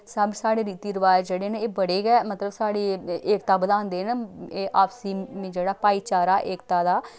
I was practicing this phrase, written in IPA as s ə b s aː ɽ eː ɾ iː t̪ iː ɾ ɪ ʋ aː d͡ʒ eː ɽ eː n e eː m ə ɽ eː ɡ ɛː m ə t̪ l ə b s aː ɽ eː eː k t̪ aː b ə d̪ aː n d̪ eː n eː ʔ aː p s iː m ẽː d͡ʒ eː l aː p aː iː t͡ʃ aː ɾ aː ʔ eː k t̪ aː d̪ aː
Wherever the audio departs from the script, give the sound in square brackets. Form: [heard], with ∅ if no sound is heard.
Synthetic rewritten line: s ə b s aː ɽ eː ɾ iː t̪ iː ɾ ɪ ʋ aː d͡ʒ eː ɽ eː n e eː [b] ə ɽ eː ɡ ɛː m ə t̪ l ə b s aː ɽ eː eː k t̪ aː b ə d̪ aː n d̪ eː n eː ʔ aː p s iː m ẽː d͡ʒ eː [ɽ] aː p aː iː t͡ʃ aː ɾ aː ʔ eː k t̪ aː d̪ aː